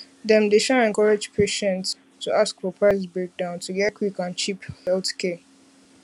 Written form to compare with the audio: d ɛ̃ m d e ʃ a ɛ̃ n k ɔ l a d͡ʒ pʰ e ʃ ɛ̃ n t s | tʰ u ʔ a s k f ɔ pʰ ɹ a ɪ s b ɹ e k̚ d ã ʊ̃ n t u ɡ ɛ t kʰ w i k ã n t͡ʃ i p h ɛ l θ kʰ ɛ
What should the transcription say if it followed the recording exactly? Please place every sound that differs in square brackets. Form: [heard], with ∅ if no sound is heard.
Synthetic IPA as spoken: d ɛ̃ m d e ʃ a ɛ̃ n k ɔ [ɹ] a d͡ʒ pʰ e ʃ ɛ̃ n t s | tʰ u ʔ a s k f ɔ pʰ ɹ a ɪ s b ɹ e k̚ d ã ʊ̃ n t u ɡ ɛ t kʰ w i k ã n t͡ʃ i p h ɛ l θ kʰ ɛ